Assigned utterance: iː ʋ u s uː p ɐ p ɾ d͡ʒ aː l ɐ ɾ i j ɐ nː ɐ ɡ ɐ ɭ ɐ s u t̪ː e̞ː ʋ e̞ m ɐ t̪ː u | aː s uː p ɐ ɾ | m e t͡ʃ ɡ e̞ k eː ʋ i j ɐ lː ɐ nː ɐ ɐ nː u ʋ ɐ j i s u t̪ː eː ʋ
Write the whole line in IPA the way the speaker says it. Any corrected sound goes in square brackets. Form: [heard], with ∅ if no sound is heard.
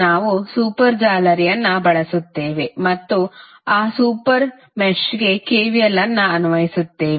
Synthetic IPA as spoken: [aː] ʋ u s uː p ɐ [∅] ɾ d͡ʒ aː l ɐ ɾ i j ɐ nː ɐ [b] ɐ ɭ ɐ s u t̪ː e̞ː ʋ e̞ m ɐ t̪ː u | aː s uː p ɐ ɾ | m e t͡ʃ ɡ e̞ k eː ʋ i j ɐ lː ɐ nː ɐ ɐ [n] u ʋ ɐ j i s u t̪ː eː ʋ